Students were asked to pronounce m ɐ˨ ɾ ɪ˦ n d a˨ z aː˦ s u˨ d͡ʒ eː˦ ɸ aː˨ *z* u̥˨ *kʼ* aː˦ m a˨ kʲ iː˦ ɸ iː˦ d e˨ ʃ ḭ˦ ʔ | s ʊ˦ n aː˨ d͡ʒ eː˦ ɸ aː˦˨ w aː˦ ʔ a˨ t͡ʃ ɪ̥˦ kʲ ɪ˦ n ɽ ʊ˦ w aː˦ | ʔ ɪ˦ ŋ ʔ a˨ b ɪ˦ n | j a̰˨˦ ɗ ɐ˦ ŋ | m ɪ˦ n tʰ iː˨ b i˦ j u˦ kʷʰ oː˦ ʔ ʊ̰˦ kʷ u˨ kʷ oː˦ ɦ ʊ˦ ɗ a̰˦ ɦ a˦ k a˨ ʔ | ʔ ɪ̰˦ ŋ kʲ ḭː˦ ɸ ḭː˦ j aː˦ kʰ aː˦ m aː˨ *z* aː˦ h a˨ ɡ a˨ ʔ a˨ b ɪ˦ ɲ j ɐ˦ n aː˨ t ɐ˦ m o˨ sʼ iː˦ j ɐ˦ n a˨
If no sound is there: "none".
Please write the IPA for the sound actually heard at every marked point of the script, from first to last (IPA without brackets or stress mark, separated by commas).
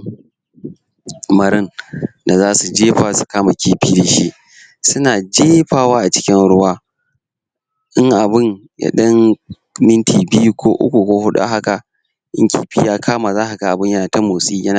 s, k, z